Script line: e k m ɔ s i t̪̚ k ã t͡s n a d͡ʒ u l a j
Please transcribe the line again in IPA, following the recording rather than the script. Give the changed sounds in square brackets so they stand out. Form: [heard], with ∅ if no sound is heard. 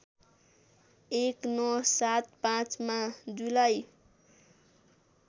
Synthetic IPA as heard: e k [n] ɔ s [a] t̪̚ [p] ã t͡s [m] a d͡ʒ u l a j